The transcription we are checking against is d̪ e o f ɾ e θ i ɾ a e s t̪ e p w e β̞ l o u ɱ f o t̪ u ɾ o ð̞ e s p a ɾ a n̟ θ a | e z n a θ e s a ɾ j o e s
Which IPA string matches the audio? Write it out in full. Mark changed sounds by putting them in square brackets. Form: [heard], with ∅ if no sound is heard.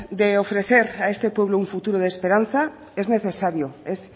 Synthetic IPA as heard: d̪ e o f ɾ e θ [e] ɾ a e s t̪ e p w e β̞ l o u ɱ f [u] t̪ u ɾ o ð̞ e s p [e] ɾ a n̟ θ a | e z n [e] θ e s a ɾ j o e s